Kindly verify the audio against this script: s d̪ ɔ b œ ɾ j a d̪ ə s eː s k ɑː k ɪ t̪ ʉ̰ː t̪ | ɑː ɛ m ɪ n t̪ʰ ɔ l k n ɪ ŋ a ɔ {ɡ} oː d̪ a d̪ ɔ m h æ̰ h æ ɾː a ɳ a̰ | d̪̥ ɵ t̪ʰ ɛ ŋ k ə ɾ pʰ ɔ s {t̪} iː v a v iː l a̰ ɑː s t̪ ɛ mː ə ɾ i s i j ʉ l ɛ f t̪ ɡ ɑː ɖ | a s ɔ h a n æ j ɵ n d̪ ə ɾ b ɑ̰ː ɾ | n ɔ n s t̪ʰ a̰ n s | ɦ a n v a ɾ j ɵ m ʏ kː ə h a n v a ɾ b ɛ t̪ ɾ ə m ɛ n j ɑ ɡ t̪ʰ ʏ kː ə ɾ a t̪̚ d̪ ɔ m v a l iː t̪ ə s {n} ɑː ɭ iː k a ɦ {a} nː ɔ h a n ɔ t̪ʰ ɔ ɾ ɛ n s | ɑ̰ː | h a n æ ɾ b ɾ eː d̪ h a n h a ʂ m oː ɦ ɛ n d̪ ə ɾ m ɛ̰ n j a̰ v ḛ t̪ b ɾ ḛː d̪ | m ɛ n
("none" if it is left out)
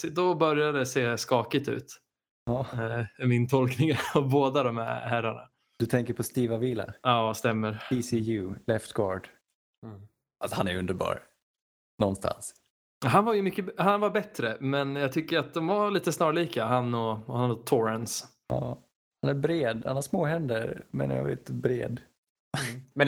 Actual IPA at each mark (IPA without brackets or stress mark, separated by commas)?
b, t̪, n, a